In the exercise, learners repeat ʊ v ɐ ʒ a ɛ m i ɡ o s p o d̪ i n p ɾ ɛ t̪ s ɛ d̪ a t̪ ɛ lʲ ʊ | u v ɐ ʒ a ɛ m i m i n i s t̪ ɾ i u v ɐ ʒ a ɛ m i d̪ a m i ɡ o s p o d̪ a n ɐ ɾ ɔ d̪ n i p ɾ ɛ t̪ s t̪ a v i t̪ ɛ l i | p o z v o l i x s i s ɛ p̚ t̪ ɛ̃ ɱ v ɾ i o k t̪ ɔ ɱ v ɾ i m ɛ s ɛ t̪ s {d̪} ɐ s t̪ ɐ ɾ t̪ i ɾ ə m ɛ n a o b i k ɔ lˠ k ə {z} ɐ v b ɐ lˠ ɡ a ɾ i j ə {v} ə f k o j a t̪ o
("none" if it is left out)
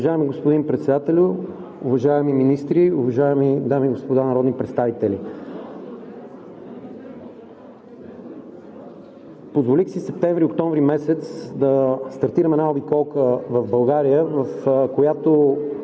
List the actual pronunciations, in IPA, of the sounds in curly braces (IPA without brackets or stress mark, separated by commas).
d̪, v, v